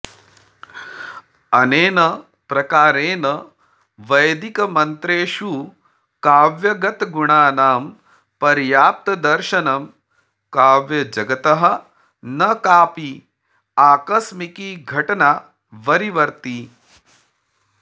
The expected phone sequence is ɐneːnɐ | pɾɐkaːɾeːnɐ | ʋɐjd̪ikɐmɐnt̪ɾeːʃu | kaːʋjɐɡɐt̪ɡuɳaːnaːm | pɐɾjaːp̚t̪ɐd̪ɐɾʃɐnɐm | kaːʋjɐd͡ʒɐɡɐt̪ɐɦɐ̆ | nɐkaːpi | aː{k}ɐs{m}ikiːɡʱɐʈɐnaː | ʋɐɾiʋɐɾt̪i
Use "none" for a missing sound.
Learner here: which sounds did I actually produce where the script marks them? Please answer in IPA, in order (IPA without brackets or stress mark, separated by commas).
k, m